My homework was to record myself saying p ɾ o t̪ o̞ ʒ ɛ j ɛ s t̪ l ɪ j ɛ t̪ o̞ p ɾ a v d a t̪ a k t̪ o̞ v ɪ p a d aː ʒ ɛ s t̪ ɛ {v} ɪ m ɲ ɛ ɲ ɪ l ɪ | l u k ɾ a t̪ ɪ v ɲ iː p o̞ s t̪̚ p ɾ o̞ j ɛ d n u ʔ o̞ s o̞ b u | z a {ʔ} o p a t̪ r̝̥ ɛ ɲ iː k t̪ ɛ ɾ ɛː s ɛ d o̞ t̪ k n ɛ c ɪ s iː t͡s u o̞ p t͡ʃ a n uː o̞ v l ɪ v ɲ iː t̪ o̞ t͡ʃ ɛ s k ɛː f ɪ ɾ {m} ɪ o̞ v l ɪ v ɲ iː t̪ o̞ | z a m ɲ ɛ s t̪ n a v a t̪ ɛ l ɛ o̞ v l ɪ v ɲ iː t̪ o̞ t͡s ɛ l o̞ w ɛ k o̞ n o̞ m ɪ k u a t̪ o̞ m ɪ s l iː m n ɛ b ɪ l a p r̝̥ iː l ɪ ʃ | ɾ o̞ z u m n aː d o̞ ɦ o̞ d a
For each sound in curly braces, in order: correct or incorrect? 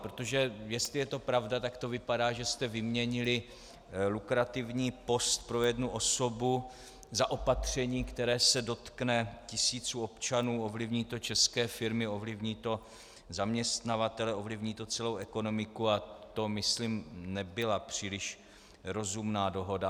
correct, correct, correct

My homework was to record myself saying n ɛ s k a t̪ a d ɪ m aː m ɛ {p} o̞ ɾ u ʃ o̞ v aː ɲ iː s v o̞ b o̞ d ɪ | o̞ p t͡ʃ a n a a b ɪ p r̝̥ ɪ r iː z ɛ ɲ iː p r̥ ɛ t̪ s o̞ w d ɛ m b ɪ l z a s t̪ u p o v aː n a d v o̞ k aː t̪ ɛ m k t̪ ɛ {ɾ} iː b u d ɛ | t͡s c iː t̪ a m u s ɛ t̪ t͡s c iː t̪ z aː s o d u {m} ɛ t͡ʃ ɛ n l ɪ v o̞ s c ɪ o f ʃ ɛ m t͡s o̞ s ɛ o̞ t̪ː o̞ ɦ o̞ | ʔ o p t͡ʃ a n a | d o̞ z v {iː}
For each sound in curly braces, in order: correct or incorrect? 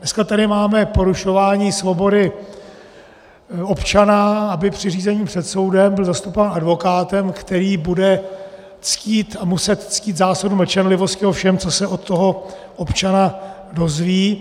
correct, correct, correct, correct

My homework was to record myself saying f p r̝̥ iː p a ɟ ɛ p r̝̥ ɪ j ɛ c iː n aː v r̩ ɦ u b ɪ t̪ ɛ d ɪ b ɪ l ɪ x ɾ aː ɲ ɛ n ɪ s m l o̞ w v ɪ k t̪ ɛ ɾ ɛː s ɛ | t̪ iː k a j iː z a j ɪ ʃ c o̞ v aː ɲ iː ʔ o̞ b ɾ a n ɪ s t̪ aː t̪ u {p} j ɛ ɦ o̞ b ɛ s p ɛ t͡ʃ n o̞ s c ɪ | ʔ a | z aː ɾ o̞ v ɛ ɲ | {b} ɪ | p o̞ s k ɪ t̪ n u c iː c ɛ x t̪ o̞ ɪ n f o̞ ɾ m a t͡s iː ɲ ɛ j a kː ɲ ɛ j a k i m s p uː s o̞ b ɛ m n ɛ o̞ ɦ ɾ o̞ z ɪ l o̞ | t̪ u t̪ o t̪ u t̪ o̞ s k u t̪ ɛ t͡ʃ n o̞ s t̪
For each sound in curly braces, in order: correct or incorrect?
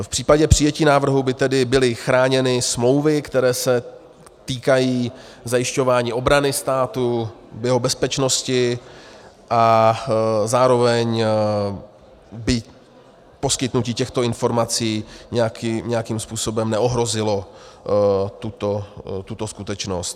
incorrect: b, correct

